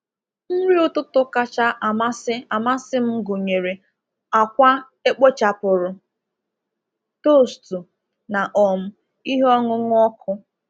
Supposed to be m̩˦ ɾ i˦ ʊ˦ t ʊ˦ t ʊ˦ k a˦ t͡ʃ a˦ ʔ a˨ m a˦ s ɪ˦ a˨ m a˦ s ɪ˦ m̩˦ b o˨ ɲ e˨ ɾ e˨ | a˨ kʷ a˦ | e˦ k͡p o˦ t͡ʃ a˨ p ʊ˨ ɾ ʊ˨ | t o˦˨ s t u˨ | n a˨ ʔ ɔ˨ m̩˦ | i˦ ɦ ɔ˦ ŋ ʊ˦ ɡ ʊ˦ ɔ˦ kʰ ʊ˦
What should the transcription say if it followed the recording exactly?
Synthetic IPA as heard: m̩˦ ɾ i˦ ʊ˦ t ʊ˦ t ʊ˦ k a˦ t͡ʃ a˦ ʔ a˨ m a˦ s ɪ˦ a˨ m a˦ s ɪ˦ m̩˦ ɡ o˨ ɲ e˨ ɾ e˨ | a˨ kʷ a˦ | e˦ k͡p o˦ t͡ʃ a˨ p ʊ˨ ɾ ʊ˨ | t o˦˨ s t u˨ | n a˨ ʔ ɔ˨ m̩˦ | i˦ ɦ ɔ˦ ŋ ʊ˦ ŋ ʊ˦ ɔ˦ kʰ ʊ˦